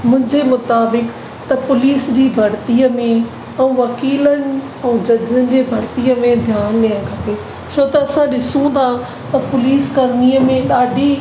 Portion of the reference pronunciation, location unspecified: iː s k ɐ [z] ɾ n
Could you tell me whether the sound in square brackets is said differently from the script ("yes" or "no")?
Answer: yes